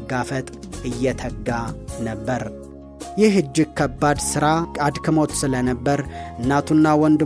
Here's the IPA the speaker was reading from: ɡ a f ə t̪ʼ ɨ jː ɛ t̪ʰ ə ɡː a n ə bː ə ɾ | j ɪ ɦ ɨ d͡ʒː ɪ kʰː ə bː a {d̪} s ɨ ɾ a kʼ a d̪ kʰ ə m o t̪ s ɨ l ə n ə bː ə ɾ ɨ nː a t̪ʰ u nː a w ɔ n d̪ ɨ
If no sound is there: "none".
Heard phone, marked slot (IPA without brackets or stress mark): d̪